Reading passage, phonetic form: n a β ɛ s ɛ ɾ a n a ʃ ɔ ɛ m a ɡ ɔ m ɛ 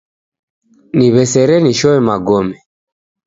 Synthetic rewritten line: n i β ɛ s ɛ ɾ ɛ n i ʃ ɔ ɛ m a ɡ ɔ m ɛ